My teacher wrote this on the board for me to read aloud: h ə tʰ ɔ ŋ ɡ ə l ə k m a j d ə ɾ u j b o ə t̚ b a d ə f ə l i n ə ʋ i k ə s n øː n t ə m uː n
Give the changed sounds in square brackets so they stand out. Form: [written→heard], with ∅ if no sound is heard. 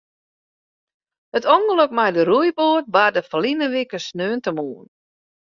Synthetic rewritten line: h ə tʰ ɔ ŋ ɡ ə l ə k m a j d ə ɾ u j b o ə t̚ b a d ə f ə l i n ə ʋ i k ə s n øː n t ə m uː n